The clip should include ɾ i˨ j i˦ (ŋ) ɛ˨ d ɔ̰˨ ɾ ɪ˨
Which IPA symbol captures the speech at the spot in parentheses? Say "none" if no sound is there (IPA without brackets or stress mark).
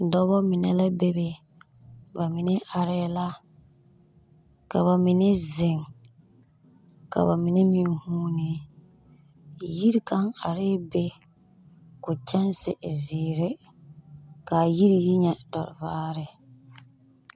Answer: ɲ